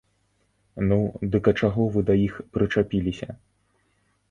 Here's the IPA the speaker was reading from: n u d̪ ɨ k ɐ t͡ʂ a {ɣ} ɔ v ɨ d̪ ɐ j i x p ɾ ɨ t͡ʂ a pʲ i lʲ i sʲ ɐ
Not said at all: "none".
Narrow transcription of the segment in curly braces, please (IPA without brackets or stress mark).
ɣ